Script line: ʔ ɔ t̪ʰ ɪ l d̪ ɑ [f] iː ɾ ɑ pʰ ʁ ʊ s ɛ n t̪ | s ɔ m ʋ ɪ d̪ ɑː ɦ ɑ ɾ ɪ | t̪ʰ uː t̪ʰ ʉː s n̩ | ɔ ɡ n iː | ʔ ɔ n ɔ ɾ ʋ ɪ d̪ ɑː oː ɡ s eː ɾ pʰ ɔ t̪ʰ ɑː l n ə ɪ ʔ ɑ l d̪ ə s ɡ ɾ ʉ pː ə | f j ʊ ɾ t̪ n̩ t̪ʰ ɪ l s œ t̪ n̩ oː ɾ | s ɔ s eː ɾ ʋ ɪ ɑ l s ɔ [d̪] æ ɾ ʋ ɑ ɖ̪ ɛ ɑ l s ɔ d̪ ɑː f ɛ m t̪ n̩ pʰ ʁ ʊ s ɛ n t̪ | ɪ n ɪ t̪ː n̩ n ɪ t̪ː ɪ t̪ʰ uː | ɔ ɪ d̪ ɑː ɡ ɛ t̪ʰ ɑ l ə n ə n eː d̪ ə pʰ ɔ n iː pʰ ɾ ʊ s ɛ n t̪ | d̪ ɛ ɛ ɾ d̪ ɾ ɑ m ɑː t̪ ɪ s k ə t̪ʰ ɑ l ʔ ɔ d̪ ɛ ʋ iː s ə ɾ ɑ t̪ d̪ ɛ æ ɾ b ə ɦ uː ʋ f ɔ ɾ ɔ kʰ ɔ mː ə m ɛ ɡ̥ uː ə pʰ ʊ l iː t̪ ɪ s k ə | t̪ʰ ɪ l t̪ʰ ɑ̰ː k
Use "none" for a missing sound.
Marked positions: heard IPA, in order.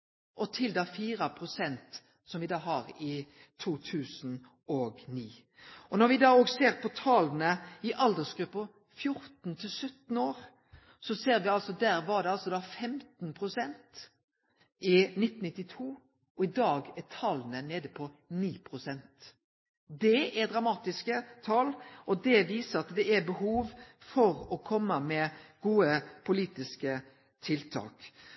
f, d̪

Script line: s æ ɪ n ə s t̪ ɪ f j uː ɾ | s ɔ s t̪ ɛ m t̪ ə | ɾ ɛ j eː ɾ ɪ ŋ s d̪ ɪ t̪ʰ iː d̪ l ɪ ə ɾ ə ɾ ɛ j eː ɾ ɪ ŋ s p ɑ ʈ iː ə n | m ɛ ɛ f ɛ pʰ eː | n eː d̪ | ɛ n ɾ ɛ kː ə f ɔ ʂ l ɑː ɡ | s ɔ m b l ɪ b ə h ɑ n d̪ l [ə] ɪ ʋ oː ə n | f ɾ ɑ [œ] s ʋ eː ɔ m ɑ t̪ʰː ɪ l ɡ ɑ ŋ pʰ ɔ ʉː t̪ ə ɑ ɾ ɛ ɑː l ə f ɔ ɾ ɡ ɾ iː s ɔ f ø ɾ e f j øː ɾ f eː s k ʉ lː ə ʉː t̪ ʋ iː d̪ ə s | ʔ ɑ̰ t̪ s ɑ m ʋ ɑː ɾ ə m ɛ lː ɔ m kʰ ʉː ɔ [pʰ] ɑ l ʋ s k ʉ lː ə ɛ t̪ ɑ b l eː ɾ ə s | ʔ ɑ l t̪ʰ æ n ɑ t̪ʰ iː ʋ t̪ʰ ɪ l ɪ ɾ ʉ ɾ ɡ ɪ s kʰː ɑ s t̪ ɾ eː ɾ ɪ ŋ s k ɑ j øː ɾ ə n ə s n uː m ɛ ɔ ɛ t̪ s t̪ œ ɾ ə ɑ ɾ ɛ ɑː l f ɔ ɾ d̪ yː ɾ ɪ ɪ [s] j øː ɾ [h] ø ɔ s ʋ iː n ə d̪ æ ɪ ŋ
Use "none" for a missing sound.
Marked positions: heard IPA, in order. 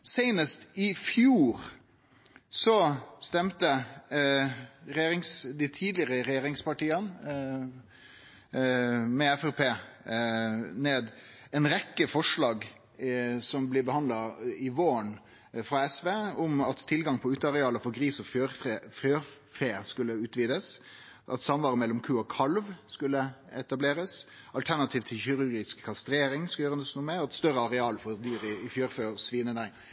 ɑ, ɛ, kʰ, f, f

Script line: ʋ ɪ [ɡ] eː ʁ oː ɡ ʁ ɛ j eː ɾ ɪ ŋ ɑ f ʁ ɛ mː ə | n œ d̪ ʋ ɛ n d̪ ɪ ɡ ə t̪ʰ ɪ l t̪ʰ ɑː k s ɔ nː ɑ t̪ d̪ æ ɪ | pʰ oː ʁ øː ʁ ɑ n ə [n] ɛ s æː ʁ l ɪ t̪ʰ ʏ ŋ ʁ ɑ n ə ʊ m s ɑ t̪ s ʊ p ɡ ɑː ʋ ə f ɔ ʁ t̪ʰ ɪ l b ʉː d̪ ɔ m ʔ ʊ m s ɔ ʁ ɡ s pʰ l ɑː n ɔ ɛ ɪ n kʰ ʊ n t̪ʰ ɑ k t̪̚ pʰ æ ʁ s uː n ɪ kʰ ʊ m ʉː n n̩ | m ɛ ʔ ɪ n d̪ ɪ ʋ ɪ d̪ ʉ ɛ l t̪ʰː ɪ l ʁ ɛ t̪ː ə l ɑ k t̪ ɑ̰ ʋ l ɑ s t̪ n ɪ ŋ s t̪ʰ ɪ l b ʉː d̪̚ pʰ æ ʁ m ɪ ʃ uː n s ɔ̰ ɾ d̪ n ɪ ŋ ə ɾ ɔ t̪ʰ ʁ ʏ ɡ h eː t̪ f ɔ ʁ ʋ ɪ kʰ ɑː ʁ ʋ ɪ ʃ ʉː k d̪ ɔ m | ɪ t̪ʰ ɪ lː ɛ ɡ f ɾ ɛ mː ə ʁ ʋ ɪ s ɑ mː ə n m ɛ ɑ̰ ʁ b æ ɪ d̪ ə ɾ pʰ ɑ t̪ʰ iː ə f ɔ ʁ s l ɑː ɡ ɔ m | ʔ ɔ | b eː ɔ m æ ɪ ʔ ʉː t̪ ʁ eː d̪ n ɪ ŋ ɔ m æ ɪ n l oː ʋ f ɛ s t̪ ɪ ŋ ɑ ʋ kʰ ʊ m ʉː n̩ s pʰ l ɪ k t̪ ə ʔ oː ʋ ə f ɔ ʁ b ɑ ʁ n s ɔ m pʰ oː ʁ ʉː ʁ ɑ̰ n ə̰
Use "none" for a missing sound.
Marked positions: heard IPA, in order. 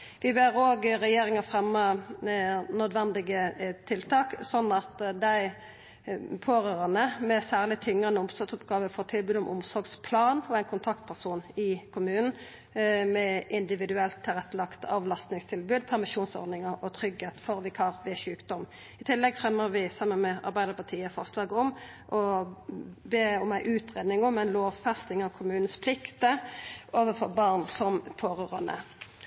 b, m

